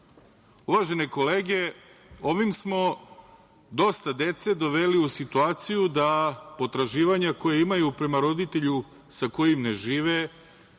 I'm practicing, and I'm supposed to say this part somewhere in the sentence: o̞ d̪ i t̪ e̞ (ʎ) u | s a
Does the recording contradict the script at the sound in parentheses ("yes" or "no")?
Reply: no